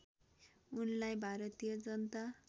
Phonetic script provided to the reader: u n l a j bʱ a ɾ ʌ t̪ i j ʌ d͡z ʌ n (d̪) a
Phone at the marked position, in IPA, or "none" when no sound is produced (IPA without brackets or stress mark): t̪